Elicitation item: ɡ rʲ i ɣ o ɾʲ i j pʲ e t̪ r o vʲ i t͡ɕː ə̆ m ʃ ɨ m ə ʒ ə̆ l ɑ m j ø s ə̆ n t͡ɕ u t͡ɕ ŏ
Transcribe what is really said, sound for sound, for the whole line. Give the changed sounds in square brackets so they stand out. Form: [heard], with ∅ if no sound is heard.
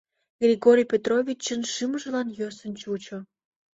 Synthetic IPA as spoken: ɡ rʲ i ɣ o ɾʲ i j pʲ e t̪ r o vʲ i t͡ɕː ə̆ [n] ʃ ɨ m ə ʒ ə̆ l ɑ [n] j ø s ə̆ n t͡ɕ u t͡ɕ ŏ